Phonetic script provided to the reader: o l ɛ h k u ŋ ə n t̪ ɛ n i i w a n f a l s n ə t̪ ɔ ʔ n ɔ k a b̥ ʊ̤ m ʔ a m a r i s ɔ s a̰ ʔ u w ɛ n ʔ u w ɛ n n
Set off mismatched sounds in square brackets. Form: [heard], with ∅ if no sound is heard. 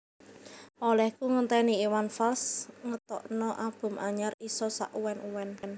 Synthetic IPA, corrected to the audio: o l ɛ h k u ŋ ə n t̪ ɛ n i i w a n f a l s [ŋ] ə t̪ ɔ ʔ n ɔ [ʔ] a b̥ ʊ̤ m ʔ a [ɲ] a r i s ɔ s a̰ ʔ u w ɛ n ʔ u w ɛ n n